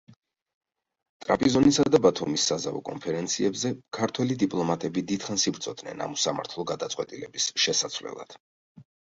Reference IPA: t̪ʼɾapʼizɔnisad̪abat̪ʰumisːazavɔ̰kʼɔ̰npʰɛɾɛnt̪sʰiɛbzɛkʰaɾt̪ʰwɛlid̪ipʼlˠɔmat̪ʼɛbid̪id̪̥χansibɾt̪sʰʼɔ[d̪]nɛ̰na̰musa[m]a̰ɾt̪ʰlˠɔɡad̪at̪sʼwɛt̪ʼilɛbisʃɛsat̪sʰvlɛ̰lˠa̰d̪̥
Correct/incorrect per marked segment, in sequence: correct, correct

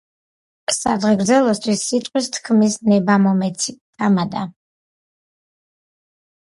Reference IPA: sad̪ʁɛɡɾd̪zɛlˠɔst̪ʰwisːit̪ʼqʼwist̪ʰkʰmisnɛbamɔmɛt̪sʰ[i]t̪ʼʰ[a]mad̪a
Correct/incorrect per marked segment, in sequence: correct, correct

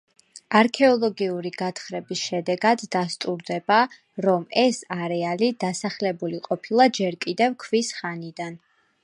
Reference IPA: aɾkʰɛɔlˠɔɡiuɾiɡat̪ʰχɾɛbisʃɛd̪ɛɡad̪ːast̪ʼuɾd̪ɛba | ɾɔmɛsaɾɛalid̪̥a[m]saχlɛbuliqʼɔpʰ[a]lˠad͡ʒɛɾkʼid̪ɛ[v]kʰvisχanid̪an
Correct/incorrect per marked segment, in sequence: incorrect, incorrect, correct

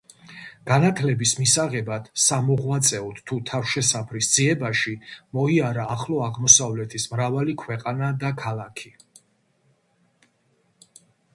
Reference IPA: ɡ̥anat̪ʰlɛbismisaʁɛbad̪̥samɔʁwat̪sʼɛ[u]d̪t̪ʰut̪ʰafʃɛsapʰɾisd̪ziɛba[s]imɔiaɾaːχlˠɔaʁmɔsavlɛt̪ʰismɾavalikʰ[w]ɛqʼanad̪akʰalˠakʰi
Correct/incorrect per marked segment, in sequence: incorrect, incorrect, correct

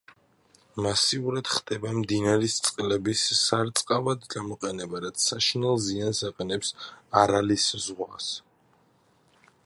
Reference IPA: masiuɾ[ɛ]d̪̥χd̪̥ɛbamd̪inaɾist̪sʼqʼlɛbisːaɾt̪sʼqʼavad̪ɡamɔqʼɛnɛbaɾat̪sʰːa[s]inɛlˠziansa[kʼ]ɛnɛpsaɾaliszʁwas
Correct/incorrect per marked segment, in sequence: incorrect, incorrect, incorrect

